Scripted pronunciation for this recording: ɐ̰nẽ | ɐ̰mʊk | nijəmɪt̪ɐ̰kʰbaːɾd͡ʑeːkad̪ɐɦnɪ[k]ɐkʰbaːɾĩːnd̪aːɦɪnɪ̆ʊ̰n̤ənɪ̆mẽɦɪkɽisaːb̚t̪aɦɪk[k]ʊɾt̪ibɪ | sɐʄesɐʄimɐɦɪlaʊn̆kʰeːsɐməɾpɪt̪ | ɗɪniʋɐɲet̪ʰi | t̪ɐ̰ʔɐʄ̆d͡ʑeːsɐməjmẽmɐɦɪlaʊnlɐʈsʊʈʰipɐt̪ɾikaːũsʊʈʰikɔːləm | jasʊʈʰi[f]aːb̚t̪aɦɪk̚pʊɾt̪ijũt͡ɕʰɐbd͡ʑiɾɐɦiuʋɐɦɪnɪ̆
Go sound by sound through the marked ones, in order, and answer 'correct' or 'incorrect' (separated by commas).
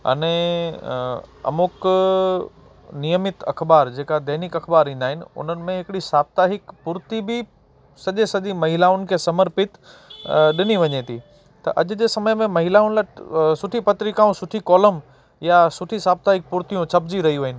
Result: correct, incorrect, incorrect